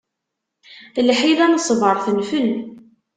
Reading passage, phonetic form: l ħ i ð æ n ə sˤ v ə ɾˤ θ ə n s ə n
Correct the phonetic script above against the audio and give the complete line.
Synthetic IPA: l ħ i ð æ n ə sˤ v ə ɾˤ θ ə n f ə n